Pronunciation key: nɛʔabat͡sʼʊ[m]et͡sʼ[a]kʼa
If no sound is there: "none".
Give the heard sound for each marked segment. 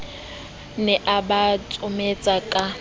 m, a

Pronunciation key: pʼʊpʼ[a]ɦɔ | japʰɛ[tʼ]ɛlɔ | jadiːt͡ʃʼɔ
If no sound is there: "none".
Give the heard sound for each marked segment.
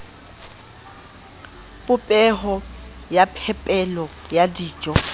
ɛ, pʼ

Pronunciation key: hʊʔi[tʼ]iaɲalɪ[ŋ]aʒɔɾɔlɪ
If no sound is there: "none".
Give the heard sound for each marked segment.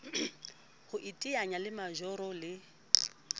tʼ, m

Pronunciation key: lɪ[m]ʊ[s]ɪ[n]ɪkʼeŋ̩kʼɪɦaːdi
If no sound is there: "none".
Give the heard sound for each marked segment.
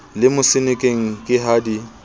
m, s, n

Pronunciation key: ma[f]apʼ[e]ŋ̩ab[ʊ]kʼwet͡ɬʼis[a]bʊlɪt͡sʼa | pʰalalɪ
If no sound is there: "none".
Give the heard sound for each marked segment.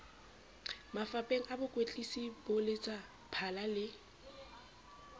f, e, ʊ, i

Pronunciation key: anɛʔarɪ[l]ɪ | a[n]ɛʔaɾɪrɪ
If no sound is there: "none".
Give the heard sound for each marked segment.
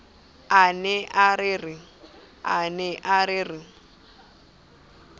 r, n

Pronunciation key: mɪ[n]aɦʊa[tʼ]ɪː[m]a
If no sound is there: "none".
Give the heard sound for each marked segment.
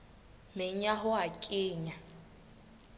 ɲ, kʼ, ɲ

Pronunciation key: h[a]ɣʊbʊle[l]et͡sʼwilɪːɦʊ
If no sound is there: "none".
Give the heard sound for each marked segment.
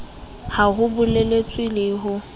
a, l

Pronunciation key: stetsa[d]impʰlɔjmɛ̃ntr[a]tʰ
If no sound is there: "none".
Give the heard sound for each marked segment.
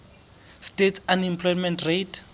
n, e

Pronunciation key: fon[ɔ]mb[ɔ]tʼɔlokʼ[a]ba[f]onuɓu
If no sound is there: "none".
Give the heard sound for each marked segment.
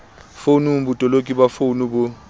u, u, i, f

